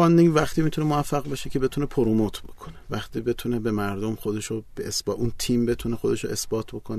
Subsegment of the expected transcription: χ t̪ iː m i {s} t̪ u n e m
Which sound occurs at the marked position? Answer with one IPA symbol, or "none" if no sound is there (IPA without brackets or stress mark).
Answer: none